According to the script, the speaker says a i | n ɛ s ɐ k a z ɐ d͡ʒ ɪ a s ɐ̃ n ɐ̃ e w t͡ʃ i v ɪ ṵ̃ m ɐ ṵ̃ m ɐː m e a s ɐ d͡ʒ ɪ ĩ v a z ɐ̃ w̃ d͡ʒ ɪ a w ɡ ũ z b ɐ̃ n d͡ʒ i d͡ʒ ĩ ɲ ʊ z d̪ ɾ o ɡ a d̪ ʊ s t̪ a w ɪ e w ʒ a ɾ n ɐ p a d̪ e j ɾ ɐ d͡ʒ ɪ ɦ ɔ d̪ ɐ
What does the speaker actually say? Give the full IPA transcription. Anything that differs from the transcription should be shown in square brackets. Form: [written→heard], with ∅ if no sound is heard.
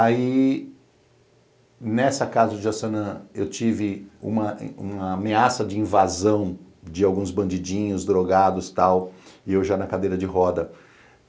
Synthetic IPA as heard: a i | n ɛ s ɐ k a z ɐ d͡ʒ ɪ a s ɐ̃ n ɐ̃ e w t͡ʃ i v ɪ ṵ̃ m ɐ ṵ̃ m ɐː m e a s ɐ d͡ʒ ɪ ĩ v a z ɐ̃ w̃ d͡ʒ ɪ a w ɡ ũ z b ɐ̃ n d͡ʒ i d͡ʒ ĩ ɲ ʊ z d̪ ɾ o ɡ a d̪ ʊ s t̪ a w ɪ e w ʒ a [ɾ→∅] n ɐ [p→k] a d̪ e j ɾ ɐ d͡ʒ ɪ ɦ ɔ d̪ ɐ

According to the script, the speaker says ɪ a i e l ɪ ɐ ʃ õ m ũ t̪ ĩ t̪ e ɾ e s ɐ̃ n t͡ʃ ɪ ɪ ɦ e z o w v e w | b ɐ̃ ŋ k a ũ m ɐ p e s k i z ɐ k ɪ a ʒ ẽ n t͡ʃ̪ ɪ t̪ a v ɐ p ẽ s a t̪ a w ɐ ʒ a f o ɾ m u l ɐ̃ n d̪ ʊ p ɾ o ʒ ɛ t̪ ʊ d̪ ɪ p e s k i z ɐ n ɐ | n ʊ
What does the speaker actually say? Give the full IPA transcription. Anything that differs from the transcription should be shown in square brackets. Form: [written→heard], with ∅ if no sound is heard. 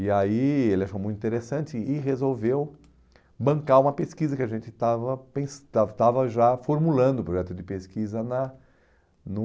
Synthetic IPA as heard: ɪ a i e l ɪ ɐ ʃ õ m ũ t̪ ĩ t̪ e ɾ e s ɐ̃ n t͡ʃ ɪ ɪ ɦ e z o w v e w | b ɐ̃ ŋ k a ũ m ɐ p e s k i z ɐ k ɪ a ʒ ẽ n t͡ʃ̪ ɪ t̪ a v ɐ p ẽ s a t̪ a [w→v] ɐ ʒ a f o ɾ m u l ɐ̃ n d̪ ʊ p ɾ o ʒ ɛ t̪ ʊ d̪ ɪ p e s k i z ɐ n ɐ | n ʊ

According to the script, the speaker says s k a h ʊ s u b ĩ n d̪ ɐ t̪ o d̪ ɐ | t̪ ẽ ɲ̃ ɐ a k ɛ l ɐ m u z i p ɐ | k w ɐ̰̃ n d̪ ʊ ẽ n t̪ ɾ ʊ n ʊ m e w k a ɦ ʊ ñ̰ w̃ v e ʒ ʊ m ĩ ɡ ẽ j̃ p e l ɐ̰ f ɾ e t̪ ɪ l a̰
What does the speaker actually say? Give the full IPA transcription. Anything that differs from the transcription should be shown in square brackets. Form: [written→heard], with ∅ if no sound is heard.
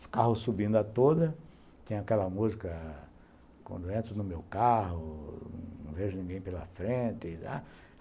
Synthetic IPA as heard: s k a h ʊ s u b ĩ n d̪ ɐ t̪ o d̪ ɐ | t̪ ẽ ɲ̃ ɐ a k ɛ l ɐ m u z i [p→k] ɐ | k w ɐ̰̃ n d̪ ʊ ẽ n t̪ ɾ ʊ n ʊ m e w k a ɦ ʊ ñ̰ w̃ v e ʒ ʊ [m→n] ĩ ɡ ẽ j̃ p e l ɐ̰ f ɾ [e→ẽ] t̪ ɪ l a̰

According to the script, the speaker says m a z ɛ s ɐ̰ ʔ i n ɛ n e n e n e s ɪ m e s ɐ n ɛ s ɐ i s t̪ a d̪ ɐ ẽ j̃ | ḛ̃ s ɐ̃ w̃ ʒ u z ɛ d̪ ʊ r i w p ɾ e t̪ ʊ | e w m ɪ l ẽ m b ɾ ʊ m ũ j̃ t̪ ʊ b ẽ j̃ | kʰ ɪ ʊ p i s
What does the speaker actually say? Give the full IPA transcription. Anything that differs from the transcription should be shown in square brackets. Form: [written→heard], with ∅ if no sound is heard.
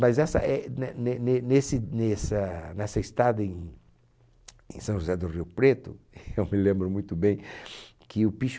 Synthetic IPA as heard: m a z ɛ s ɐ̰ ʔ [i→ɛ] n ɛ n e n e n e s ɪ [m→n] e s ɐ n ɛ s ɐ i s t̪ a d̪ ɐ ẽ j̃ | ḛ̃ s ɐ̃ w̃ ʒ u z ɛ d̪ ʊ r i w p ɾ e t̪ ʊ | e w m ɪ l ẽ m b ɾ ʊ m ũ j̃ t̪ ʊ b ẽ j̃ | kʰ ɪ ʊ p i [s→ʃ]

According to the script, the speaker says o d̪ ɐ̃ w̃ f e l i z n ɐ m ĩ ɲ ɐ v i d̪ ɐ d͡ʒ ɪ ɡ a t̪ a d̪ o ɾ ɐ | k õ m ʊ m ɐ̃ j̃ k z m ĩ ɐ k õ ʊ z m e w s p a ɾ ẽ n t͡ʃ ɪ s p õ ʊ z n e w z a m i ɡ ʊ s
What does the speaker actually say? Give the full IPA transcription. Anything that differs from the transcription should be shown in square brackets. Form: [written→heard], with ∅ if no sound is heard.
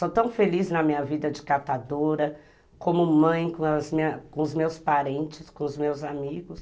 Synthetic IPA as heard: o [d̪→t̪] ɐ̃ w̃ f e l i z n ɐ m ĩ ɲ ɐ v i d̪ ɐ d͡ʒ ɪ [ɡ→k] a t̪ a d̪ o ɾ ɐ | k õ m ʊ m ɐ̃ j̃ k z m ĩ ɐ k õ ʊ z m e w s p a ɾ ẽ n t͡ʃ ɪ s [p→k] õ ʊ z [n→m] e w z a m i ɡ ʊ s

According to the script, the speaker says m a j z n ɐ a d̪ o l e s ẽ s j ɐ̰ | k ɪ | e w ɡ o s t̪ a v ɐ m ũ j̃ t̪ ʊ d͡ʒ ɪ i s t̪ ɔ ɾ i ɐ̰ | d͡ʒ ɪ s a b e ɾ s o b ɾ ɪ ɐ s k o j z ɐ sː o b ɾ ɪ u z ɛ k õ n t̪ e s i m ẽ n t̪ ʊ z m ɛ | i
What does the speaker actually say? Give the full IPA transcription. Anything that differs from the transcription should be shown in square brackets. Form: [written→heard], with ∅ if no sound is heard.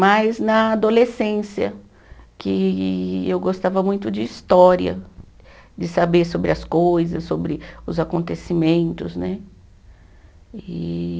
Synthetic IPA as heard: m a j z n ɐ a d̪ o l e s ẽ s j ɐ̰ | k ɪ | e w ɡ o s t̪ a v ɐ m ũ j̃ t̪ ʊ d͡ʒ ɪ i s t̪ ɔ ɾ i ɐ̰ | d͡ʒ ɪ s a b e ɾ s o b ɾ ɪ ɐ s k o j z ɐ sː o b ɾ ɪ [u→ʊ] z [ɛ→a] k õ n t̪ e s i m ẽ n t̪ ʊ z [m→n] ɛ | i

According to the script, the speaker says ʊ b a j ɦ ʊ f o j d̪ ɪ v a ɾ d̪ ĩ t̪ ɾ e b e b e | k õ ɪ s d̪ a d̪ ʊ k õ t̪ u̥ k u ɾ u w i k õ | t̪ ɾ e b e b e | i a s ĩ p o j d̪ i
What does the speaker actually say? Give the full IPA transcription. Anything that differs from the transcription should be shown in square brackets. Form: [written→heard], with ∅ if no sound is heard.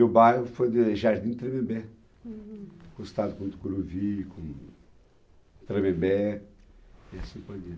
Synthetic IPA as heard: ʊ b a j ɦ ʊ f o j d̪ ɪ [v→ʒ] a ɾ d̪ ĩ t̪ ɾ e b e b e | k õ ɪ s [d̪→t̪] a d̪ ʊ k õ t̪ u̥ k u ɾ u [w→v] i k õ | t̪ ɾ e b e b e | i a s ĩ p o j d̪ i

